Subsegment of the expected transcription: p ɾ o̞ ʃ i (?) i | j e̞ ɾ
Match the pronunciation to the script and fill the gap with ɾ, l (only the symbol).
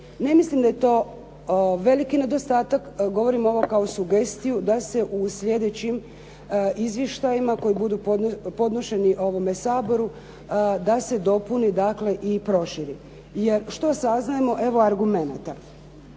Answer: ɾ